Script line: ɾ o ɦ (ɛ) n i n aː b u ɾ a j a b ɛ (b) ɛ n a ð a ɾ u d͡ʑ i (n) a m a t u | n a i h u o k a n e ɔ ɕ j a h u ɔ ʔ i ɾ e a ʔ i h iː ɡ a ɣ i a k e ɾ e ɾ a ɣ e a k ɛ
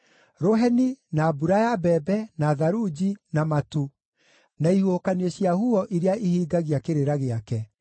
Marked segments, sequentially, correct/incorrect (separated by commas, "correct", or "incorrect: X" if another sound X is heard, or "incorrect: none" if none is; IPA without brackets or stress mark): correct, correct, correct